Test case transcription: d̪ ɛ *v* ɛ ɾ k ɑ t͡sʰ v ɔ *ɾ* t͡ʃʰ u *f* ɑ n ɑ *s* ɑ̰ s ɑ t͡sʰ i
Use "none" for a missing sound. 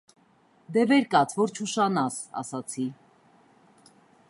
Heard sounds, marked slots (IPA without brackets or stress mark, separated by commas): v, ɾ, ʃ, s